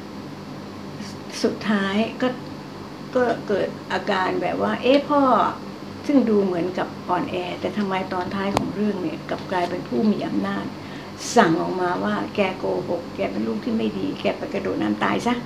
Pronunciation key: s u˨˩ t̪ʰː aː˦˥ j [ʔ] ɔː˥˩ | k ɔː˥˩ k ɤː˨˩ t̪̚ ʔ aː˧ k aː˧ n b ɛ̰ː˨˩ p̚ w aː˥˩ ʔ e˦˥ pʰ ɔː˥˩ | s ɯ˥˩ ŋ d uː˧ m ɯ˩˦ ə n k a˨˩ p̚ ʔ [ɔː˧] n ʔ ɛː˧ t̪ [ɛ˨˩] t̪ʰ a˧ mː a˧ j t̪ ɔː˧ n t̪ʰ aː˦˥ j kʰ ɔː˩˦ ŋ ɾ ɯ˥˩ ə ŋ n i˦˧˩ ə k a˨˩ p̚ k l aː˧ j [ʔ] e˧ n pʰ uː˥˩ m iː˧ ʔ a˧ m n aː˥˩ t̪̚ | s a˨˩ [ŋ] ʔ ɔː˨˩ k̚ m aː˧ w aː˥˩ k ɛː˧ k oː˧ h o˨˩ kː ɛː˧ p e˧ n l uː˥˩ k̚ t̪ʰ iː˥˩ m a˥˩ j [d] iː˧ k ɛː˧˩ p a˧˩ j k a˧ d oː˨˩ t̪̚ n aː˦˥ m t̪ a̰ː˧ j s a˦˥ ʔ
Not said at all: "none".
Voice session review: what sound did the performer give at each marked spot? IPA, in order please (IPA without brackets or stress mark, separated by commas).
k, ɔː˧, ɛː˨˩, p, ŋ, d